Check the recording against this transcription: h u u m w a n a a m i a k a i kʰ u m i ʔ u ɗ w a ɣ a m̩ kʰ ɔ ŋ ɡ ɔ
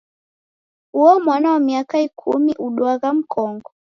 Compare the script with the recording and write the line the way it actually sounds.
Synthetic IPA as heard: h u ɔ m w a n a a m i a k a i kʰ u m i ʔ u ɗ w a ɣ a m̩ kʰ ɔ ŋ ɡ ɔ